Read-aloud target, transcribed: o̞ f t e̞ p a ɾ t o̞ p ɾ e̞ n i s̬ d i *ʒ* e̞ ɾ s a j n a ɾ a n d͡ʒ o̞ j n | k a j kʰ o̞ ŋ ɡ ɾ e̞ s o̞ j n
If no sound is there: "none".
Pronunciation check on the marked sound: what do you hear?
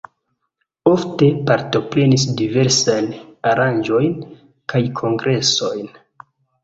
v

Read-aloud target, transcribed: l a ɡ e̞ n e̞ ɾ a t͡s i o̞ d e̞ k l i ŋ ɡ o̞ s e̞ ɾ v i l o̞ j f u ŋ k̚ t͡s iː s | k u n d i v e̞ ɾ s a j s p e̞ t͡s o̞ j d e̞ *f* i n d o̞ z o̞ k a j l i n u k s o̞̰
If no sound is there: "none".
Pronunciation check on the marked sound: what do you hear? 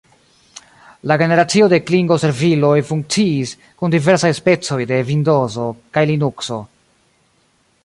v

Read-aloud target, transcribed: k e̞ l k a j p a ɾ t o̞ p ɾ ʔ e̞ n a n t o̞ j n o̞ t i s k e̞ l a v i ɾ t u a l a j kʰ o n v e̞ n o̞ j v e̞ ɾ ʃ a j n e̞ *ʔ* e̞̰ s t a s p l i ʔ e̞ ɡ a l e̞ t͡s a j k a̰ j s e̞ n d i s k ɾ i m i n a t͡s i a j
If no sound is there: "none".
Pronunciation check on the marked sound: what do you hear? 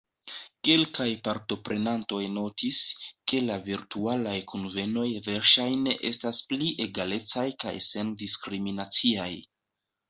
ʔ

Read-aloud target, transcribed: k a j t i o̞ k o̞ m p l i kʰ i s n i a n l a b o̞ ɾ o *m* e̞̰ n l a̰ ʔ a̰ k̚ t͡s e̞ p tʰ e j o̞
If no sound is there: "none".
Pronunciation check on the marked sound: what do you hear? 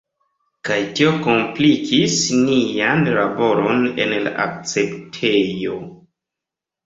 n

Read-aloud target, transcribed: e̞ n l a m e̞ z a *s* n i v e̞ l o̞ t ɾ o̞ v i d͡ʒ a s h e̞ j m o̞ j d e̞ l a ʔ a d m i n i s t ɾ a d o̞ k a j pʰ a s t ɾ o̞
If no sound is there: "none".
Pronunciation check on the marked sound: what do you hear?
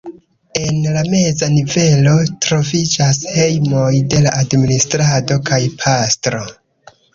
none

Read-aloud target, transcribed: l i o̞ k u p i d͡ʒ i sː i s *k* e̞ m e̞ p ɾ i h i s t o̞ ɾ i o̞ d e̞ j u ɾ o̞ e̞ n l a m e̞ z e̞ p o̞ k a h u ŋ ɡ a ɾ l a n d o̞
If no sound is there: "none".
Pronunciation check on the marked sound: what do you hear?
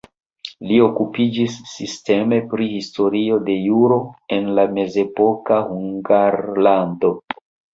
t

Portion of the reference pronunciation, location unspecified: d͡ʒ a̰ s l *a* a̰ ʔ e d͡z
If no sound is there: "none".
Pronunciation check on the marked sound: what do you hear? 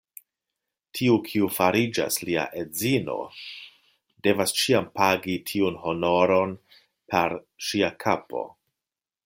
i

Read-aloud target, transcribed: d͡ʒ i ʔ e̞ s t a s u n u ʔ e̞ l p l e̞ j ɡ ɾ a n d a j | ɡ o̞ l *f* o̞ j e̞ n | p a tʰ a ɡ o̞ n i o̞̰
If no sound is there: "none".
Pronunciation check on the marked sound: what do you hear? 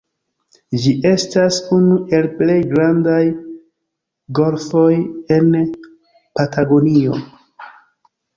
f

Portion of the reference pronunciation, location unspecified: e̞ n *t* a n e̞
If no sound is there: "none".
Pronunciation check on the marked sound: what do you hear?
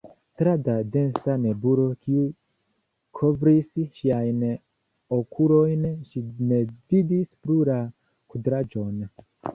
s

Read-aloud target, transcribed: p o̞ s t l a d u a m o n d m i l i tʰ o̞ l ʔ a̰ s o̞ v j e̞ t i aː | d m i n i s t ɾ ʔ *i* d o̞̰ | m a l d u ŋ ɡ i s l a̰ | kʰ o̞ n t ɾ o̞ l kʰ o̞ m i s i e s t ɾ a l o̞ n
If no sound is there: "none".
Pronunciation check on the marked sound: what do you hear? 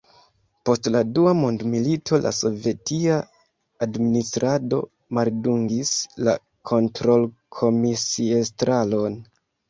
a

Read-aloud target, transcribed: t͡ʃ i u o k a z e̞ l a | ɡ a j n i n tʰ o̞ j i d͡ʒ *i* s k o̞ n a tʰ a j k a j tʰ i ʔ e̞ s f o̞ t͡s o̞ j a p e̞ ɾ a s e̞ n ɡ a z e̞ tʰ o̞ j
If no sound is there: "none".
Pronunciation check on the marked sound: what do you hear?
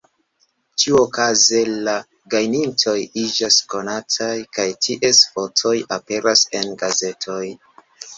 a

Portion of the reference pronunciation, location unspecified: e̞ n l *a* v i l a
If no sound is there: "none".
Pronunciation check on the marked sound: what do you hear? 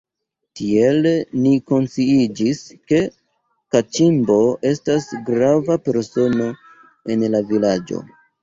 a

